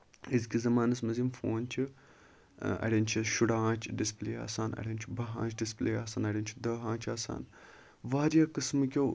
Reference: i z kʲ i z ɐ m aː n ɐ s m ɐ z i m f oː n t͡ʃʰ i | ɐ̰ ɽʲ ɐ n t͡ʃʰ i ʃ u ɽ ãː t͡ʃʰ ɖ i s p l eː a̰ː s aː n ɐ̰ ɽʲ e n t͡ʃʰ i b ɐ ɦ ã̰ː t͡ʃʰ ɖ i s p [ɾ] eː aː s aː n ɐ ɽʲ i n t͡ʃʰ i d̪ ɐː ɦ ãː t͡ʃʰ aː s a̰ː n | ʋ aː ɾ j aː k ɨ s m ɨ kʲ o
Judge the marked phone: incorrect: l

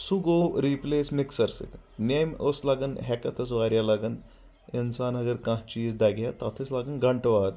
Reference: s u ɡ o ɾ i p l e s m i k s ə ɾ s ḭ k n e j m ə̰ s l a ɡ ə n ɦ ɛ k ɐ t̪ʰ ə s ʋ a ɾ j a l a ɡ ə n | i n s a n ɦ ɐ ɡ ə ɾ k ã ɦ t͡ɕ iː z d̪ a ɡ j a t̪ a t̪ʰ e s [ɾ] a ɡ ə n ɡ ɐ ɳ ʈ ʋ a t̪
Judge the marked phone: incorrect: l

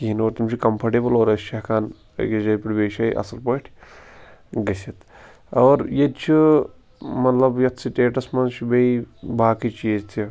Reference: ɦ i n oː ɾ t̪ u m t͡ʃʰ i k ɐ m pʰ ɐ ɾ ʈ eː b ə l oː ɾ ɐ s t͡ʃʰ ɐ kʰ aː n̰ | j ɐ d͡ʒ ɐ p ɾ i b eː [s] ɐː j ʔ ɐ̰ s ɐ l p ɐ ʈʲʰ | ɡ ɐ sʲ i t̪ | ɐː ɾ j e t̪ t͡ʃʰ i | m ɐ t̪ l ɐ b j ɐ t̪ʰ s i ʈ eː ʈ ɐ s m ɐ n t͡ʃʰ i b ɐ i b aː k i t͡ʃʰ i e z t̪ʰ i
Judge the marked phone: incorrect: ʃ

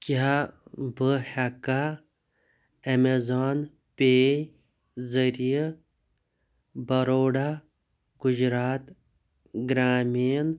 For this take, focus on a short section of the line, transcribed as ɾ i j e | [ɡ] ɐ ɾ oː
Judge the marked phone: incorrect: b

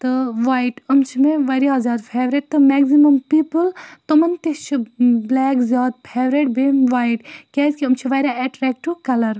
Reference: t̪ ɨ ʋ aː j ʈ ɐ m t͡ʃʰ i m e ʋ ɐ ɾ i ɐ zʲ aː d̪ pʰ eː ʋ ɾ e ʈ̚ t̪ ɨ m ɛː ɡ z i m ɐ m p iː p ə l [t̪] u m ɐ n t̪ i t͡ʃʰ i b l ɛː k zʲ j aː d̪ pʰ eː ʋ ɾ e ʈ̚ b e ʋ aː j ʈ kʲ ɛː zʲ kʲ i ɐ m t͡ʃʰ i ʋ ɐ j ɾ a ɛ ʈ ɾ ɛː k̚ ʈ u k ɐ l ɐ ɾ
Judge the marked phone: correct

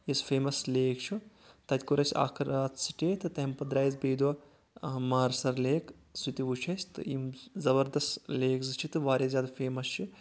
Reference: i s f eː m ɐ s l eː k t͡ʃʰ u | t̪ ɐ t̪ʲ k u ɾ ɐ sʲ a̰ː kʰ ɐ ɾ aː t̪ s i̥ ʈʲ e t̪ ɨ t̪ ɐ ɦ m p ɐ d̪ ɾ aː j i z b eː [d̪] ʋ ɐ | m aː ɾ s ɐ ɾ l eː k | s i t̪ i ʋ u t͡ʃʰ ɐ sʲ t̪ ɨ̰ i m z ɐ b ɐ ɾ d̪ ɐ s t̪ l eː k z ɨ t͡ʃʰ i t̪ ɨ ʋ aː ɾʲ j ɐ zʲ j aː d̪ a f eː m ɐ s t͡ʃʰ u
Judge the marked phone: correct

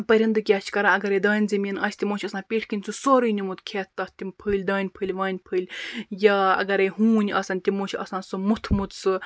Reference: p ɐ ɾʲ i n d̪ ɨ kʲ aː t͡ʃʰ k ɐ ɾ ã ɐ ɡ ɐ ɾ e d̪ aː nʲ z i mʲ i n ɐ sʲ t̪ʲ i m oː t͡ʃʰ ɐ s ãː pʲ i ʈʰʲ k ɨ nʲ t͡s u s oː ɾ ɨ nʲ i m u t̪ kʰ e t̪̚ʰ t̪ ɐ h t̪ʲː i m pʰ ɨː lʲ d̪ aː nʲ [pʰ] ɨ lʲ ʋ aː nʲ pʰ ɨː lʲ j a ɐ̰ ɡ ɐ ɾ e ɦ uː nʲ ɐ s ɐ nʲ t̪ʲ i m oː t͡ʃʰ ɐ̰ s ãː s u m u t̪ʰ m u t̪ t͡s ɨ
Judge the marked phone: correct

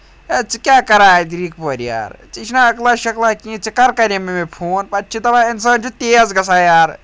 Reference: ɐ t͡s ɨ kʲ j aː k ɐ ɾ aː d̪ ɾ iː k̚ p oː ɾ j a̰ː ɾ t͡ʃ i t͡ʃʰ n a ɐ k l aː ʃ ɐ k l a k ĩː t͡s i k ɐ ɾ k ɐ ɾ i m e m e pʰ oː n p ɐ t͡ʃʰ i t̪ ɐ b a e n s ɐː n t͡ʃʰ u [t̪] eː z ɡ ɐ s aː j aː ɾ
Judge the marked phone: correct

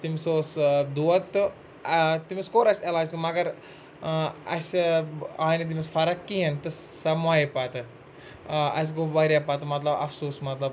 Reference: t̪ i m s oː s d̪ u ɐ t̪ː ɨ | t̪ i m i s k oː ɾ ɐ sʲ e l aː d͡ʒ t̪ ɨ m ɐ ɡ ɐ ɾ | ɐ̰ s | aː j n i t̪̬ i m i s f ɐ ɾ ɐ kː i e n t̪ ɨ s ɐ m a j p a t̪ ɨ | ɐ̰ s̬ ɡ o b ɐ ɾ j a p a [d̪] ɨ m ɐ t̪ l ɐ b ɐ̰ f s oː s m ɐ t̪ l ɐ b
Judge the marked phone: incorrect: t̪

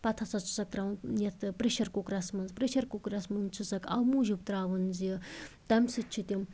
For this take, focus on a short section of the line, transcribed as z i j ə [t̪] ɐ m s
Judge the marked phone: correct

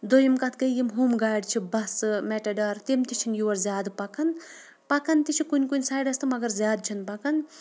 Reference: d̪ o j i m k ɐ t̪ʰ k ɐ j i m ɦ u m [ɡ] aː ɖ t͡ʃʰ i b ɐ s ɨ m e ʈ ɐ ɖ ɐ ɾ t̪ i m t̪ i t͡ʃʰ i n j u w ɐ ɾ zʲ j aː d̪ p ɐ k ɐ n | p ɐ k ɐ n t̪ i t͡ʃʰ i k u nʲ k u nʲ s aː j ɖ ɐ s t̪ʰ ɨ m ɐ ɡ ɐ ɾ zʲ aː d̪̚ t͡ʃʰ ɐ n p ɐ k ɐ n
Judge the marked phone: correct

